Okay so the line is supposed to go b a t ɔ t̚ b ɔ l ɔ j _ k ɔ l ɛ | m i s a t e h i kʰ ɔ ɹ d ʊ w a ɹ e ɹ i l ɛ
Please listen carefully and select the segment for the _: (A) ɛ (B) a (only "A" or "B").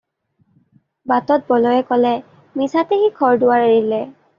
A